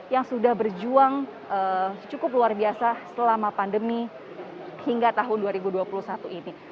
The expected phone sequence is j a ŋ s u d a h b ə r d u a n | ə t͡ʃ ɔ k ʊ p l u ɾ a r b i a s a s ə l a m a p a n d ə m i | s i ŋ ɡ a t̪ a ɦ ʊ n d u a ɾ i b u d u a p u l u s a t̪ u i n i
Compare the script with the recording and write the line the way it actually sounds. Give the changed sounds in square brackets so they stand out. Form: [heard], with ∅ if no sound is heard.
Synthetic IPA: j a ŋ s u d a h b ə r [d͡ʒ] u a [ŋ] | ə t͡ʃ [u] k ʊ p l u [∅] a r b i a s a s ə l a m a p a n d ə m i | [h] i ŋ ɡ a t̪ a ɦ ʊ n d u a ɾ i b u d u a p u l u s a t̪ u i n i